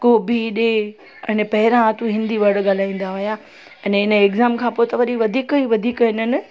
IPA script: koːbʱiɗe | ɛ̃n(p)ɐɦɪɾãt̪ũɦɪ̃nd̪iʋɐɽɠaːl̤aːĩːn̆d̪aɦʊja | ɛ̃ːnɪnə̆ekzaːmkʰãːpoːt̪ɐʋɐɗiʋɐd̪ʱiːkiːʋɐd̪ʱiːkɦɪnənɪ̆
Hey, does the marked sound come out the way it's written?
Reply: yes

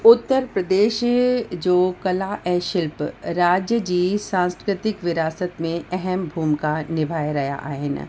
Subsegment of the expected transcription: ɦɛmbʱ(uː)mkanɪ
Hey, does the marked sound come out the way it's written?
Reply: yes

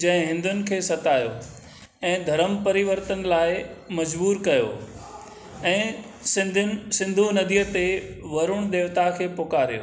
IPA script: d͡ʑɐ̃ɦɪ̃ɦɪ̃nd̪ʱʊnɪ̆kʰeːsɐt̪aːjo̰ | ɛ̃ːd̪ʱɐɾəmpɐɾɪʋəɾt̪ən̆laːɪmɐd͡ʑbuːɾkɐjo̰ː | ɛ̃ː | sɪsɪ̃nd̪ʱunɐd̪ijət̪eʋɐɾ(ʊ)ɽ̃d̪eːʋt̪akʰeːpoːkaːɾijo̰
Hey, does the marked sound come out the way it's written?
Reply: yes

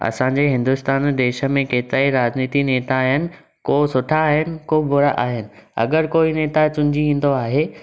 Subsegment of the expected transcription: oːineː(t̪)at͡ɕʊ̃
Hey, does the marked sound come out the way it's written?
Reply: yes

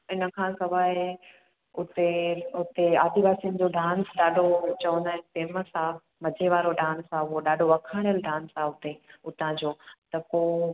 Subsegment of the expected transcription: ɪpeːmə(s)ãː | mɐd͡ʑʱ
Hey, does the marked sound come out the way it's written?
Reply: yes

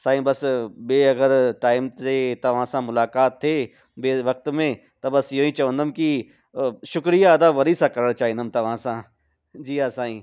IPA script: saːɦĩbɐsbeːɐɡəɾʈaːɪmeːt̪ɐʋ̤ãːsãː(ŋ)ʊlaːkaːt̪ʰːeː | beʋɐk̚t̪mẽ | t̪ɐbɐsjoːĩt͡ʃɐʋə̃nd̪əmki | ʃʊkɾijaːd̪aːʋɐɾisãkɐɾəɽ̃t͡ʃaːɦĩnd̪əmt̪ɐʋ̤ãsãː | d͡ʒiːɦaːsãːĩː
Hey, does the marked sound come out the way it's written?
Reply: no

